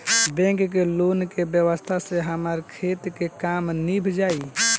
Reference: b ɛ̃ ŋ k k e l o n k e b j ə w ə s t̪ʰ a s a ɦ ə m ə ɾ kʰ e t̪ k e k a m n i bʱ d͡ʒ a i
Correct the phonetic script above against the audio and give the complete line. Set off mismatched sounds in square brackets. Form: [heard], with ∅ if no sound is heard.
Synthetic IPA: b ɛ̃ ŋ k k e l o n k e b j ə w ə s t̪ʰ a s [e] ɦ ə m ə ɾ kʰ e t̪ k e k a m n i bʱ d͡ʒ a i